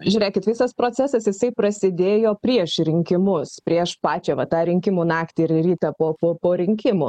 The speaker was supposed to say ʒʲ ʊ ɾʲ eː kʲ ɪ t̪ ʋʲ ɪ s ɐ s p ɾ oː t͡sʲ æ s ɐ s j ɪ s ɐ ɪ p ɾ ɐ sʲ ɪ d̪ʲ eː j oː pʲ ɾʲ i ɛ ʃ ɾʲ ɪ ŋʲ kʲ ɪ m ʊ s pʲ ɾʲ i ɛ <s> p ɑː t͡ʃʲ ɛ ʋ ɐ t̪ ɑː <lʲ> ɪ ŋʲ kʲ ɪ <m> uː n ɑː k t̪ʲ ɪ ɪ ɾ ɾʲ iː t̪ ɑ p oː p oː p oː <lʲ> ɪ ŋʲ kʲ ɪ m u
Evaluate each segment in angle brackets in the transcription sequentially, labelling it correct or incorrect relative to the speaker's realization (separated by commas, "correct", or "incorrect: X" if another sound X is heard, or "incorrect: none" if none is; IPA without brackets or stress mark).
incorrect: ʃ, incorrect: ɾʲ, correct, incorrect: ɾʲ